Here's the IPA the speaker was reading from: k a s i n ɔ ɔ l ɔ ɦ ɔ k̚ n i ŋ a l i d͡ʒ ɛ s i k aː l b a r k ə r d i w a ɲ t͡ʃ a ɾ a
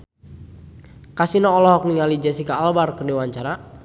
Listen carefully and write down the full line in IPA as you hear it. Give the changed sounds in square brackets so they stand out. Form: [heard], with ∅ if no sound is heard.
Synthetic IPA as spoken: k a s i n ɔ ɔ l ɔ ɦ ɔ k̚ n i ŋ a l i d͡ʒ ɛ s i k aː l b a r k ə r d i w a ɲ t͡ʃ a ɾ a